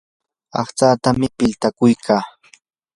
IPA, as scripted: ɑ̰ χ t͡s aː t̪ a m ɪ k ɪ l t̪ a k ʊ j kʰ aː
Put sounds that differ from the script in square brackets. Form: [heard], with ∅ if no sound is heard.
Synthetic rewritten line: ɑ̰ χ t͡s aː t̪ a m ɪ [p] ɪ l t̪ a k ʊ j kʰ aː